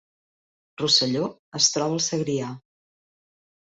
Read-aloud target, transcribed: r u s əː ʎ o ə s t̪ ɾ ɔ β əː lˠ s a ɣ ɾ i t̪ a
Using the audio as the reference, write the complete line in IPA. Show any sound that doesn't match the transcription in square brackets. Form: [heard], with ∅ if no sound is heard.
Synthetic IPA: r u s [ə] ʎ o ə s t̪ ɾ ɔ β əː lˠ s [ə] ɣ ɾ i [∅] a